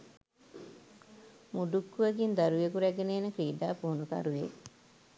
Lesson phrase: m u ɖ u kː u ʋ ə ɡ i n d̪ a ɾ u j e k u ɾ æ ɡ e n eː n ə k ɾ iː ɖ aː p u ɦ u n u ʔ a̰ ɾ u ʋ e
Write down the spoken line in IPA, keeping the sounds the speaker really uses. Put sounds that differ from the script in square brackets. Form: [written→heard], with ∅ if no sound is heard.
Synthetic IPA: m u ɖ u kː u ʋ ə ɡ i n d̪ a ɾ u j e k u ɾ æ ɡ e n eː n ə k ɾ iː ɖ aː p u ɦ u n u [ʔ→k] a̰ ɾ u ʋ e

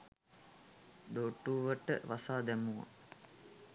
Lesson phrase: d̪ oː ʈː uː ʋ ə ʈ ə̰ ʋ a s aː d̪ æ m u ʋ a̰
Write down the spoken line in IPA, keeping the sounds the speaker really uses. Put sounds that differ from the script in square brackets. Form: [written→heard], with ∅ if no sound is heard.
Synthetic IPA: d̪ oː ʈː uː ʋ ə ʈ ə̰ ʋ a s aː d̪ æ m u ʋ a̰

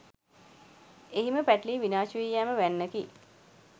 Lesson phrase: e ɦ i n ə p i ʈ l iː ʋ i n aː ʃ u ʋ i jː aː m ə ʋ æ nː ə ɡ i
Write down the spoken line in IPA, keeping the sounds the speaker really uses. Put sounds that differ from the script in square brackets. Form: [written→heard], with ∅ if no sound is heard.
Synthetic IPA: e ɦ i [n→m] ə p [i→æ] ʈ l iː ʋ i n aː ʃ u ʋ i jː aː m ə ʋ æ nː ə [ɡ→k] i

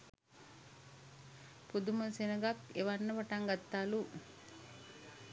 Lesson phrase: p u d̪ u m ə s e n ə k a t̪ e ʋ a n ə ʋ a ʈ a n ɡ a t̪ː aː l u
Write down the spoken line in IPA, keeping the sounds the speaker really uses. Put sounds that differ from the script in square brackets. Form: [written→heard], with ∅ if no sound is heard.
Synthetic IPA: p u d̪ u m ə s e n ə [k→ɡ] a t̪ e ʋ a [n→nː] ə ʋ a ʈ a [n→ŋ] ɡ a t̪ː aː l u

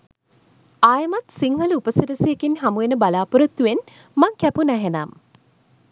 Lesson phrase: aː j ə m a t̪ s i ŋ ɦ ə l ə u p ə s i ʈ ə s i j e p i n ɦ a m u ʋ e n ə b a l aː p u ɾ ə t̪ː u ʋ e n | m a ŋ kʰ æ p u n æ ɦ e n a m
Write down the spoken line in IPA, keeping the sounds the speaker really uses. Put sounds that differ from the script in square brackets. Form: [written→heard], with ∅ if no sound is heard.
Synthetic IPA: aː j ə m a t̪ s i ŋ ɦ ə l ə u p ə s i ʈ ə s i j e [p→k] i n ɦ a m u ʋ e n ə b a l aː p u ɾ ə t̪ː u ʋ e n | m a ŋ [kʰ→k] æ p u n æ ɦ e n a m

